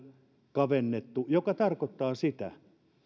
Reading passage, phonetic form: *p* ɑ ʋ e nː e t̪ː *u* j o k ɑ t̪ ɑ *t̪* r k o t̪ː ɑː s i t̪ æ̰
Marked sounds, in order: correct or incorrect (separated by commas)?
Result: incorrect, correct, incorrect